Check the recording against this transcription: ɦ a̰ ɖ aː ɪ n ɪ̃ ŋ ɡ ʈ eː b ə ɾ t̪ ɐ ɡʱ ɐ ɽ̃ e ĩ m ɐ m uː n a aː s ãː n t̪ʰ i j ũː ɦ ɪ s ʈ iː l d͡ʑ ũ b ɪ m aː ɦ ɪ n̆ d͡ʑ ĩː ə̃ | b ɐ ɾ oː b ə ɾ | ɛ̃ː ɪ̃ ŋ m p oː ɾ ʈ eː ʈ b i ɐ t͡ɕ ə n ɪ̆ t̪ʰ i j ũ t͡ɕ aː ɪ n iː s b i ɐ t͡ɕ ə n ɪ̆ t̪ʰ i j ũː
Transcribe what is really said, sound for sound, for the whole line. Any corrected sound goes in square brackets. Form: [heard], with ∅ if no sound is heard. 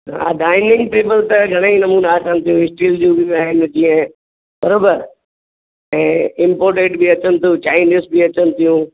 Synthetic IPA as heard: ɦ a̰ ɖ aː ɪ n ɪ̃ ŋ ɡ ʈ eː b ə [l] t̪ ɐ ɡʱ ɐ ɽ̃ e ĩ [n] ɐ m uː n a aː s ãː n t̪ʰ i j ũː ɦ ɪ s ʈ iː l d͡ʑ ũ b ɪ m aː ɦ ɪ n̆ d͡ʑ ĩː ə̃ | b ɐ ɾ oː b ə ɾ | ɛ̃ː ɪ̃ [∅] m p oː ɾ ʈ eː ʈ b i ɐ t͡ɕ ə n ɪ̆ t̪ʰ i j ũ t͡ɕ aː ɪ n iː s b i ɐ t͡ɕ ə n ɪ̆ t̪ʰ i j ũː